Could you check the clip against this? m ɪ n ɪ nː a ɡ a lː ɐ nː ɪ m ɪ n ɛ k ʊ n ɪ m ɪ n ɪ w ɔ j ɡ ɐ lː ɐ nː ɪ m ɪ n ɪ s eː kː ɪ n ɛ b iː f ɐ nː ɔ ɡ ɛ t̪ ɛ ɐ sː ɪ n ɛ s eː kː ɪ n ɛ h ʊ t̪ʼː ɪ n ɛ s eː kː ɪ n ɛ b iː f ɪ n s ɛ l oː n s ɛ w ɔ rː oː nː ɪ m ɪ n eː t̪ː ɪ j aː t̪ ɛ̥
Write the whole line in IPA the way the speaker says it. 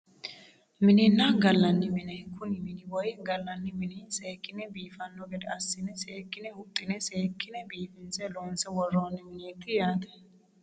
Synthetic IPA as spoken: m ɪ n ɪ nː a ɡ ɐ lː ɐ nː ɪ m ɪ n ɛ k ʊ n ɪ m ɪ n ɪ w ɔ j ɡ ɐ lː ɐ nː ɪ m ɪ n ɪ s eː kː ɪ n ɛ b iː f ɐ nː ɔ ɡ ɛ d̪ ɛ ɐ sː ɪ n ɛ s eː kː ɪ n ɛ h ʊ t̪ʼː ɪ n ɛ s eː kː ɪ n ɛ b iː f ɪ n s ɛ l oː n s ɛ w ɔ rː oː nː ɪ m ɪ n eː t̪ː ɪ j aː t̪ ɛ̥